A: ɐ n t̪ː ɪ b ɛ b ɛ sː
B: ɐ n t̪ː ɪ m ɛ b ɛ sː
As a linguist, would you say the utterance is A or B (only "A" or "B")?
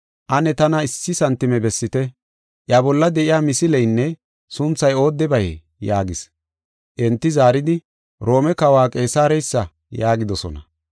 B